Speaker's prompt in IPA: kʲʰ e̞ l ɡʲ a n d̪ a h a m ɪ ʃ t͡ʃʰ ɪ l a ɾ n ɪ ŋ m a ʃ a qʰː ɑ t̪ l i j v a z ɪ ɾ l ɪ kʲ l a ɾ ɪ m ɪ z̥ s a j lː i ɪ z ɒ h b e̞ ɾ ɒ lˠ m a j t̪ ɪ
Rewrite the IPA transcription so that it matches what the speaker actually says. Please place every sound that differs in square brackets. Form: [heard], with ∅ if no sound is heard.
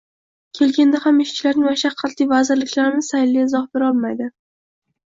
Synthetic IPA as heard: kʲʰ e̞ l ɡʲ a n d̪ a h a m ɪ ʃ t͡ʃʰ ɪ l a ɾ n ɪ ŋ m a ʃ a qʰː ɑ t̪ l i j v a z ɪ ɾ l ɪ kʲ l a ɾ ɪ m ɪ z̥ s a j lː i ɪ z ɒ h b e̞ ɾ ɒ lˠ m a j [d̪] ɪ